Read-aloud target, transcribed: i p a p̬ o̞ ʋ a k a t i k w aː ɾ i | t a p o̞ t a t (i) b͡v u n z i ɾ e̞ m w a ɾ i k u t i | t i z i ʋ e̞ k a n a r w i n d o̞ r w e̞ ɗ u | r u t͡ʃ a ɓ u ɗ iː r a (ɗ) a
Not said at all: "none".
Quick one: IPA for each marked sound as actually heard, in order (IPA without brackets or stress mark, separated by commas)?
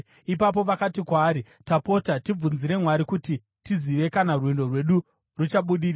i, none